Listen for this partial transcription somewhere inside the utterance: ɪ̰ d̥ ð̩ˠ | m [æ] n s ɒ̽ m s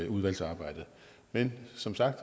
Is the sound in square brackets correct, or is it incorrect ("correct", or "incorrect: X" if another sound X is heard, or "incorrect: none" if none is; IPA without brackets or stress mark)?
incorrect: e